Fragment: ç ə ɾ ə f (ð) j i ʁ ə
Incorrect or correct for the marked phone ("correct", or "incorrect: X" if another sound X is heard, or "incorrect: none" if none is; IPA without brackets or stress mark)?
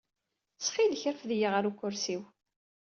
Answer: correct